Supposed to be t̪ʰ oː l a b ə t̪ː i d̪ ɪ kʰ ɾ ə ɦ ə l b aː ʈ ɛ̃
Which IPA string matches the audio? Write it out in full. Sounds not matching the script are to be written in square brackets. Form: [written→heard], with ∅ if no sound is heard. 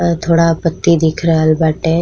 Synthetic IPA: t̪ʰ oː [l→ɽ] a [b→p] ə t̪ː i d̪ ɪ kʰ ɾ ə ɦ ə l b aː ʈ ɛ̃